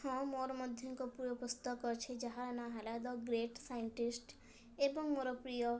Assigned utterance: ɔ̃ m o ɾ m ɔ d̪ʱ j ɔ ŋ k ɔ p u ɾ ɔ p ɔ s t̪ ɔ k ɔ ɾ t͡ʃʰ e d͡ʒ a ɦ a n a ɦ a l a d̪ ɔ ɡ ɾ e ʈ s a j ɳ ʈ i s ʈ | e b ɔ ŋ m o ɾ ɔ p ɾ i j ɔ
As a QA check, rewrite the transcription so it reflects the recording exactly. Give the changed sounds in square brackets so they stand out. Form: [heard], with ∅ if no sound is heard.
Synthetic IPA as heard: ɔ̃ m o ɾ m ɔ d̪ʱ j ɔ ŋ k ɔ p u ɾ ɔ p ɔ s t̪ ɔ k ɔ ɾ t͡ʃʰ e d͡ʒ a ɦ a n a ɦ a l a d̪ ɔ ɡ ɾ e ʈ s a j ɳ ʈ i s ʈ | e b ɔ ŋ m o ɾ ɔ p ɾ i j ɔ